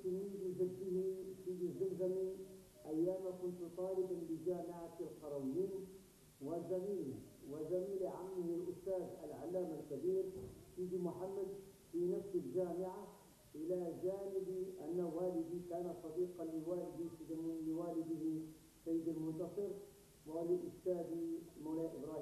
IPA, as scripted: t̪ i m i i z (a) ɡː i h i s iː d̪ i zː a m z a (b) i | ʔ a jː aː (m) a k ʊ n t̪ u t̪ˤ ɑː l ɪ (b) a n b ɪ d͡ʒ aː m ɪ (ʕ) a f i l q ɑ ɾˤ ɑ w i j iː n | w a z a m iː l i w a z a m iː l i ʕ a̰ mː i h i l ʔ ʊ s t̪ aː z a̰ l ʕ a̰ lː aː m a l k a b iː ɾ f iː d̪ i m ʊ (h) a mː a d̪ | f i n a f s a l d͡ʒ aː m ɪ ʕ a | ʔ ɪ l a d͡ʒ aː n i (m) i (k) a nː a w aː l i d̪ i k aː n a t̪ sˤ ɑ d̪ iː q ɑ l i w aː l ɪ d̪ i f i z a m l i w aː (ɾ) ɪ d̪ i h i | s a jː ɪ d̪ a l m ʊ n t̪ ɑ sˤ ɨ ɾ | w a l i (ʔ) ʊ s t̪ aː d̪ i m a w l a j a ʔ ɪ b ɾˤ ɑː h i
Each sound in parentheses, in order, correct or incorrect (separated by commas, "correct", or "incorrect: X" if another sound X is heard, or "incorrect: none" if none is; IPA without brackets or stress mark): correct, incorrect: m, correct, correct, correct, incorrect: ħ, incorrect: b, incorrect: ʔ, incorrect: l, correct